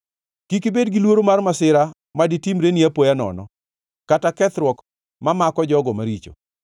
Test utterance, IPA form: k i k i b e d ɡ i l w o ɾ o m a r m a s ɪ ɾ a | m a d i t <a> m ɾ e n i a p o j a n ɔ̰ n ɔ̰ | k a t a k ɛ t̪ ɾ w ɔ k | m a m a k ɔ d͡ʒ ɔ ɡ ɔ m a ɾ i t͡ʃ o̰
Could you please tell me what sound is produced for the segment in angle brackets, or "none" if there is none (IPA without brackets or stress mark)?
i